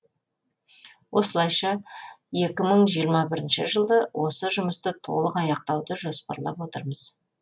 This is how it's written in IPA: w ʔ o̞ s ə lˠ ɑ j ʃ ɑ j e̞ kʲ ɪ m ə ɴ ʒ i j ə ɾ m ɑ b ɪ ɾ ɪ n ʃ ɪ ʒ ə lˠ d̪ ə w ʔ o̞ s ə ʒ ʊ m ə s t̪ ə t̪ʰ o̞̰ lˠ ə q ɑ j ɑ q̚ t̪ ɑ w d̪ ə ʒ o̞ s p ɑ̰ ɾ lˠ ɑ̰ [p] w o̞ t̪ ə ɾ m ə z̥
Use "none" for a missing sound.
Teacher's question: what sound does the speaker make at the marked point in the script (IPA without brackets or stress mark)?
p